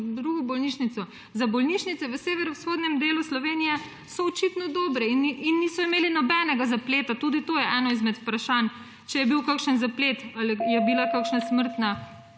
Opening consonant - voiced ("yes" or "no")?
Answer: yes